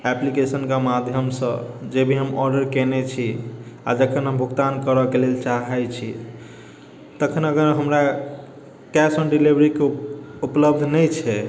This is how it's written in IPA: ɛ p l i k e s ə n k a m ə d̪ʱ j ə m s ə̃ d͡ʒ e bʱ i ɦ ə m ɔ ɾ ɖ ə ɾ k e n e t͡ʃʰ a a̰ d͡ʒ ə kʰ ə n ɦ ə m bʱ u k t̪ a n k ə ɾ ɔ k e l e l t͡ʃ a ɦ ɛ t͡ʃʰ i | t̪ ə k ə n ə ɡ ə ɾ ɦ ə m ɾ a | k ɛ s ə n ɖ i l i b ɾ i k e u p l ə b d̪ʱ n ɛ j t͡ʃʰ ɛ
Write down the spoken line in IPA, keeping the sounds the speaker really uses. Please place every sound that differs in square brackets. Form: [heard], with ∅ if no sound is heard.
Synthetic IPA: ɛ p l i k e s ə n k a m [a] d̪ʱ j ə m s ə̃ d͡ʒ e bʱ i ɦ ə m ɔ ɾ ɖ ə ɾ k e n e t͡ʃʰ [i] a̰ d͡ʒ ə kʰ ə n ɦ ə m bʱ u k t̪ a n k ə ɾ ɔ k e l e l t͡ʃ a ɦ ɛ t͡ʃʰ i | t̪ ə [kʰ] ə n ə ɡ ə ɾ ɦ ə m ɾ a | k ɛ s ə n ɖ i l i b ɾ i k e u p l ə b d̪ʱ n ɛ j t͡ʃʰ ɛ